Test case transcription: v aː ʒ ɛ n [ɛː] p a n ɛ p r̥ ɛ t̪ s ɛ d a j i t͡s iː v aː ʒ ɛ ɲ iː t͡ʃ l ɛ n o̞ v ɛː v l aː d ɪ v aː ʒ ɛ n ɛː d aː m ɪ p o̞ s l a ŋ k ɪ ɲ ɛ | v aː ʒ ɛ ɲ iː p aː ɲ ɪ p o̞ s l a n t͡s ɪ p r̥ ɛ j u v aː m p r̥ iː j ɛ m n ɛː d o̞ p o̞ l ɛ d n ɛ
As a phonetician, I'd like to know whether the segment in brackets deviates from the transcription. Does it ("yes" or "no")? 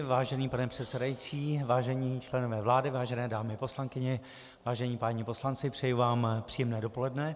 yes